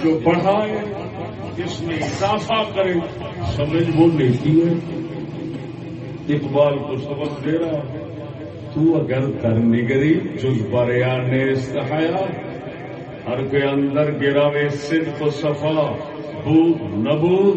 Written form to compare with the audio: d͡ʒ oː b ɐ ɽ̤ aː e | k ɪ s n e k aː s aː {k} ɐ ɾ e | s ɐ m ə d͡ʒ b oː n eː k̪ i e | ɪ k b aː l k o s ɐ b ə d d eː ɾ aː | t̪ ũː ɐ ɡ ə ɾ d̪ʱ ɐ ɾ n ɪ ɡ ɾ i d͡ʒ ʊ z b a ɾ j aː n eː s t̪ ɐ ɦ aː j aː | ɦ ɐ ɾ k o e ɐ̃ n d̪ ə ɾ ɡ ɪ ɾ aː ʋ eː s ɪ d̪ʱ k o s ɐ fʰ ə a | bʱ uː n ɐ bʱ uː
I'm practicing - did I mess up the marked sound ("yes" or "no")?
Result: no